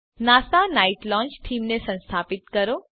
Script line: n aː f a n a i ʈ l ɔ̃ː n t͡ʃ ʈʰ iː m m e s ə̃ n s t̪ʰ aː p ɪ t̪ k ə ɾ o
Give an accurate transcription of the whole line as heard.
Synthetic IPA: n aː s a n a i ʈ l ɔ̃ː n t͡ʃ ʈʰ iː m n e s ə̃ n s t̪ʰ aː p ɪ t̪ k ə ɾ o